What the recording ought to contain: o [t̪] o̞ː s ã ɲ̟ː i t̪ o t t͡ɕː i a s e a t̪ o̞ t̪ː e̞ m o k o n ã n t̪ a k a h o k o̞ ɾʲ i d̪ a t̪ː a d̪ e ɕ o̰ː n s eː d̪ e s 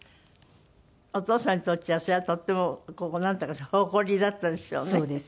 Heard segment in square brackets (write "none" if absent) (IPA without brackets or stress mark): t̪